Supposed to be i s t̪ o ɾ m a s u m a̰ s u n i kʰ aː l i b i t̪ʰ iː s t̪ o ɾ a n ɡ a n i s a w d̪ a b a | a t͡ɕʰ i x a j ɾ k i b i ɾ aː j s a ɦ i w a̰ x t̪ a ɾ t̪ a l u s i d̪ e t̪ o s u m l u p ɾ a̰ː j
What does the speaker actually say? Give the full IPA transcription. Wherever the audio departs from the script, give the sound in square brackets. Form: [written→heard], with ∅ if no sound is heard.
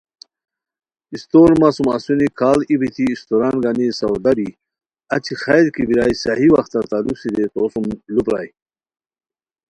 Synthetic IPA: i s t̪ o ɾ m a s u m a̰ s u n i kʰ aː l i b i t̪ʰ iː s t̪ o ɾ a n ɡ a n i s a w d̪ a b [a→i] | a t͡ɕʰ i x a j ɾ k i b i ɾ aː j s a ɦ i w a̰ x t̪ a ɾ t̪ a l u s i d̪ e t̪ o s u m l u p ɾ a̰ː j